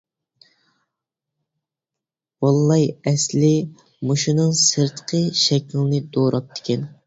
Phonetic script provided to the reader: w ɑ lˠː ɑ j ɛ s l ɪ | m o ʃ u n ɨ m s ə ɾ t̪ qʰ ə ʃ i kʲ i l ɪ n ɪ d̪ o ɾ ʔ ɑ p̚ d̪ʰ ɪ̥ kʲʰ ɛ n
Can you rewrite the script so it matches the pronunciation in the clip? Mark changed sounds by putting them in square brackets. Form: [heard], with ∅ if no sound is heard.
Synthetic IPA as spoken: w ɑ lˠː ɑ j ɛ s l ɪ | m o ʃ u n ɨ [ŋ] s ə ɾ t̪ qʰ ə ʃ [ɛ] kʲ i l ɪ n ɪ d̪ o ɾ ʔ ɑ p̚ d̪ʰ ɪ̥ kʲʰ ɛ n

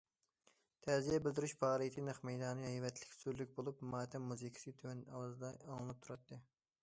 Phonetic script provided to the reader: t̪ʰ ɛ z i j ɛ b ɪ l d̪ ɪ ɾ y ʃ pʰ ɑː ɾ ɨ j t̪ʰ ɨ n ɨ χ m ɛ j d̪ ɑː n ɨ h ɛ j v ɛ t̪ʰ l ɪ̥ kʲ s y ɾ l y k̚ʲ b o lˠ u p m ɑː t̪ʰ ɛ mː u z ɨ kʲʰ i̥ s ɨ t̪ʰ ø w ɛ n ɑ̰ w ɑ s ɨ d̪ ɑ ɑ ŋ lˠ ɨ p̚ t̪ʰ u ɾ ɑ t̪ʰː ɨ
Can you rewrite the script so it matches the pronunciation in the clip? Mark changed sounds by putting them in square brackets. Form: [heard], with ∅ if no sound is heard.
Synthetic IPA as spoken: t̪ʰ ɛ z i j ɛ b ɪ l d̪ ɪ ɾ y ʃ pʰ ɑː ɾ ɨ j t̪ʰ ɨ n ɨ χ m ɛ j d̪ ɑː n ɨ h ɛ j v ɛ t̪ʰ l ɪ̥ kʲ s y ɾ l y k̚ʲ b o lˠ u p m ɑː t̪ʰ ɛ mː u z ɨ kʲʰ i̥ s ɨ t̪ʰ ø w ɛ n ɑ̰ w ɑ [z] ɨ d̪ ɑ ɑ ŋ lˠ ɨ p̚ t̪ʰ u ɾ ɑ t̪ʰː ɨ

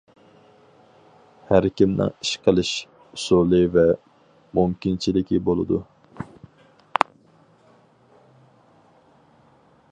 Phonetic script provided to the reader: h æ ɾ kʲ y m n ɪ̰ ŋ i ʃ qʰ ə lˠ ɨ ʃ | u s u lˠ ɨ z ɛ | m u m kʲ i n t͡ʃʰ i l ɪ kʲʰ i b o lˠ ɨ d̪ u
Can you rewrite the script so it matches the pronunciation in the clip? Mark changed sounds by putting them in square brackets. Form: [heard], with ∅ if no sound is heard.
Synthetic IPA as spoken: h æ ɾ kʲ [i] m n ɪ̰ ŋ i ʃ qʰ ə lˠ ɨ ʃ | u s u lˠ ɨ [v] ɛ | m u m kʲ i n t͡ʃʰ i l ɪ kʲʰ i b o lˠ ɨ d̪ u

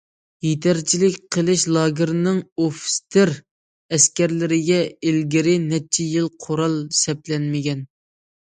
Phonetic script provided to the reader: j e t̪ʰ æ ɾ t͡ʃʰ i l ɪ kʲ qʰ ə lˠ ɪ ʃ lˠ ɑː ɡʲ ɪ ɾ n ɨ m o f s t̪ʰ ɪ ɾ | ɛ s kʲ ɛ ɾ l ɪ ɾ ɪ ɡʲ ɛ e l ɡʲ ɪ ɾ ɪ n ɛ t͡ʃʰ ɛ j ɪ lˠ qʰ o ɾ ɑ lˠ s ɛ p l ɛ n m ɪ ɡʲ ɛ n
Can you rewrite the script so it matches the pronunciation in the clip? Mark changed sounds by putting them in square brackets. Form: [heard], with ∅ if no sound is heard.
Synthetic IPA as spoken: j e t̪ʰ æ ɾ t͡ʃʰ i l ɪ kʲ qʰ ə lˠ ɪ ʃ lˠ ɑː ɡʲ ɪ ɾ n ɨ [ŋ] o f s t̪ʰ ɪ ɾ | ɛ s kʲ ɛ ɾ l ɪ ɾ ɪ ɡʲ ɛ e l ɡʲ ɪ ɾ ɪ n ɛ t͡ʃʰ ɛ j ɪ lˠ qʰ o ɾ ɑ lˠ s ɛ p l ɛ n m ɪ ɡʲ ɛ n

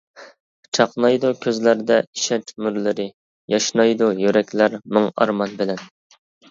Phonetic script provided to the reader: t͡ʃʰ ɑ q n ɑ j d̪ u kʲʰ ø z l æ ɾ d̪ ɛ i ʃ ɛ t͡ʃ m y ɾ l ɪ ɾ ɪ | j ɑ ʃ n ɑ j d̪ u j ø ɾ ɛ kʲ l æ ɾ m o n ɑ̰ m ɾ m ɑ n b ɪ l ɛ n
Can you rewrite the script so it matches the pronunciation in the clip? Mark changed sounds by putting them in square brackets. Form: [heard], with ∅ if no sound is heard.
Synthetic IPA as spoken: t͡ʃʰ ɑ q n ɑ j d̪ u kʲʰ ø z l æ ɾ d̪ ɛ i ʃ ɛ t͡ʃ m y ɾ l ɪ ɾ ɪ | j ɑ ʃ n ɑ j d̪ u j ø ɾ ɛ kʲ l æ ɾ m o [ŋ] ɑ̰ [∅] ɾ m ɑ n b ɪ l ɛ n

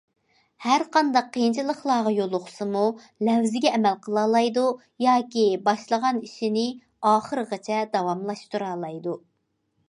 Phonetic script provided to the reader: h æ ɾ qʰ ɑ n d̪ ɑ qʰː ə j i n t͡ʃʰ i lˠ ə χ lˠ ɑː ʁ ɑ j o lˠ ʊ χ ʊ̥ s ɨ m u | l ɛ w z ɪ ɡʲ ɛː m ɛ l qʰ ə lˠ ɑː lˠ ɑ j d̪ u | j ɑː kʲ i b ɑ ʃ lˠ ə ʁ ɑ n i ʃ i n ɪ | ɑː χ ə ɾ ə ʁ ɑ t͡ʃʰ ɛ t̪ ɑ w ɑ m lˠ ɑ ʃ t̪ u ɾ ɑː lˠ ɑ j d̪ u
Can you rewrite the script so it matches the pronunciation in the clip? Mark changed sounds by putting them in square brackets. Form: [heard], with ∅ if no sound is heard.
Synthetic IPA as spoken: h æ ɾ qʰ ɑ n d̪ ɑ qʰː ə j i n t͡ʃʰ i lˠ ə χ lˠ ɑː ʁ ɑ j o lˠ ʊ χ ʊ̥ s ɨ m u | l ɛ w z ɪ ɡʲ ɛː m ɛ l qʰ ə lˠ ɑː lˠ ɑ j d̪ u | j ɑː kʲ i b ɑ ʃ lˠ ə ʁ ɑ n i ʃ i n ɪ | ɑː χ ə ɾ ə ʁ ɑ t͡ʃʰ ɛ [d̪] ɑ w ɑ m lˠ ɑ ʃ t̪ u ɾ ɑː lˠ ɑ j d̪ u

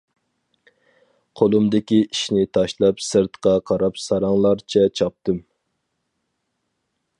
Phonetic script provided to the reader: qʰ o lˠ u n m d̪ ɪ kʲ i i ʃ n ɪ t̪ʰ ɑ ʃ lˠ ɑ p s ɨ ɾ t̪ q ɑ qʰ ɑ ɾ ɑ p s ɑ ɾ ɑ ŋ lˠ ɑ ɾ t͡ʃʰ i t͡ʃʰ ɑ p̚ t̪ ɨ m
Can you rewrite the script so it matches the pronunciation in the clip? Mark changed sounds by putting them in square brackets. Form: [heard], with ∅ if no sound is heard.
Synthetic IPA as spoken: qʰ o lˠ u [∅] m d̪ ɪ kʲ i i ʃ n ɪ t̪ʰ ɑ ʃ lˠ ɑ p s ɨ ɾ t̪ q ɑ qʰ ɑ ɾ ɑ p s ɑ ɾ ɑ ŋ lˠ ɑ ɾ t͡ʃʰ [ɛ] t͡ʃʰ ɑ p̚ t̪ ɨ m

